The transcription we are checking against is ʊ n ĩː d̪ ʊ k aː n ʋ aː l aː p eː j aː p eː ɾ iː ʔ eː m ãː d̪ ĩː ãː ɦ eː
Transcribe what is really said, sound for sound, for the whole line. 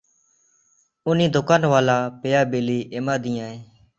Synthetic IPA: ʊ n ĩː d̪ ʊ k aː n ʋ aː l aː p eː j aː b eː l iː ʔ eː m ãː d̪ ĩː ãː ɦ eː